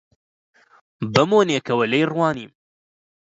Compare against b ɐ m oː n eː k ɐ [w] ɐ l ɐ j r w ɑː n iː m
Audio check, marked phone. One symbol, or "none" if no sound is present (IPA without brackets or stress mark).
w